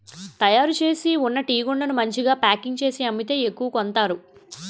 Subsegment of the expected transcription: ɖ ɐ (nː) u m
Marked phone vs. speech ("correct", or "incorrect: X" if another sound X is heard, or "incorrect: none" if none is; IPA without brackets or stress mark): incorrect: n